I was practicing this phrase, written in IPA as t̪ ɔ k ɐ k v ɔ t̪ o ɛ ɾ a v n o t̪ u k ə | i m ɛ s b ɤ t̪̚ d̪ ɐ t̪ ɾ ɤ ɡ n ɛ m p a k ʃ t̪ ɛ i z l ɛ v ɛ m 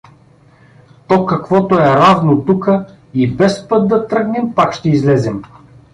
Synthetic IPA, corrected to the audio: t̪ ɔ k ɐ k v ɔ t̪ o ɛ ɾ a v n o t̪ u k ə | i b ɛ s p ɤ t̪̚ d̪ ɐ t̪ ɾ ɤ ɡ n ɛ m p a k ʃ t̪ ɛ i z l ɛ z ɛ m